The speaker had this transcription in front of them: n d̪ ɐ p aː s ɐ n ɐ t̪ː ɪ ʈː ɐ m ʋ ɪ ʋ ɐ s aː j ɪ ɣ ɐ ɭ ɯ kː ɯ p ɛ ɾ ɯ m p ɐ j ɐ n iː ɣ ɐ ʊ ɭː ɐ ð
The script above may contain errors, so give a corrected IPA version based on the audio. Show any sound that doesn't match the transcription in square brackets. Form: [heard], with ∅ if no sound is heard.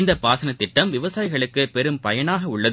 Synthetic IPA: n d̪ ɐ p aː s ɐ n ɐ t̪ː ɪ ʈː ɐ m ʋ ɪ ʋ ɐ s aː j ɪ ɣ ɐ ɭ ɯ kː ɯ p ɛ ɾ ɯ m p ɐ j ɐ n [aː] ɣ ɐ ʊ ɭː ɐ ð

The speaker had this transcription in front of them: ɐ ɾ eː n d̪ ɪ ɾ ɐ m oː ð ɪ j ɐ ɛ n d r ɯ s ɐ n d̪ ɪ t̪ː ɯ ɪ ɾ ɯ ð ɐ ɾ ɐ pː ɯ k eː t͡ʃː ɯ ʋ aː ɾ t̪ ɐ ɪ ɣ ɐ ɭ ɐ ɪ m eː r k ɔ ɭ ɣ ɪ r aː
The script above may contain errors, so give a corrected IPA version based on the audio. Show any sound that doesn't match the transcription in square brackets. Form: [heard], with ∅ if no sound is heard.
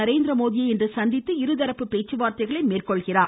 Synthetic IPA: ɐ ɾ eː n d̪ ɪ ɾ ɐ m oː ð ɪ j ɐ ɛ n d r ɯ s ɐ n d̪ ɪ t̪ː ɯ ɪ ɾ ɯ ð ɐ ɾ ɐ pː ɯ [p] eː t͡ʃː ɯ ʋ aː ɾ t̪ ɐ ɪ ɣ ɐ ɭ ɐ ɪ m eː r k ɔ ɭ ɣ ɪ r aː

